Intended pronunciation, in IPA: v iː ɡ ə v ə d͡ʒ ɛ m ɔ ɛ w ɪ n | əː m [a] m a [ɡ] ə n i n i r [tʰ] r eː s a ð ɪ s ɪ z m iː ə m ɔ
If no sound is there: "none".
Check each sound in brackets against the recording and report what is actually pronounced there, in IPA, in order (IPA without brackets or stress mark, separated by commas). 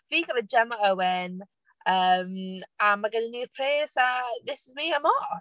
a, ɡ, pʰ